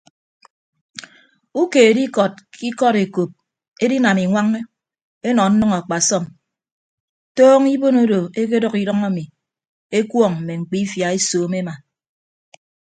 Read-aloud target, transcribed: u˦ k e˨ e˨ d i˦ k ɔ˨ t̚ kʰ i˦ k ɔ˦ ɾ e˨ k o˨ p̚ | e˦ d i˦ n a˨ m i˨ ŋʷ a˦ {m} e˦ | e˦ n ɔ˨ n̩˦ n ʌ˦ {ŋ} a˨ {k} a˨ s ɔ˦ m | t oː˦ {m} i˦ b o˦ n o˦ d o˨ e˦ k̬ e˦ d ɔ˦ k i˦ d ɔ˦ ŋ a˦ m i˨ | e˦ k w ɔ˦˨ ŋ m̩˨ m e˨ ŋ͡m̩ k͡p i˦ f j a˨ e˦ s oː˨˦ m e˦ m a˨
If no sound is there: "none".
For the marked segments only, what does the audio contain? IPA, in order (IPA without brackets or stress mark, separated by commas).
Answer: ŋ, ŋ, k͡p, ŋ